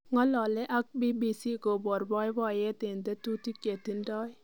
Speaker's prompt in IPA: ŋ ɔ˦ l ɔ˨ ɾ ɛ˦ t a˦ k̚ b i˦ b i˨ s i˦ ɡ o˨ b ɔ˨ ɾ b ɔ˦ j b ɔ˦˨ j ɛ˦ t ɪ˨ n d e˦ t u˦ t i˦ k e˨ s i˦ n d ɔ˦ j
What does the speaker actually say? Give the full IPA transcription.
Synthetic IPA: ŋ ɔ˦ l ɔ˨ l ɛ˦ ʔ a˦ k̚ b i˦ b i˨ s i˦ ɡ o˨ b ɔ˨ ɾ b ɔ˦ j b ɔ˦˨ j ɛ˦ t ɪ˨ n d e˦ t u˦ t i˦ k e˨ t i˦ n d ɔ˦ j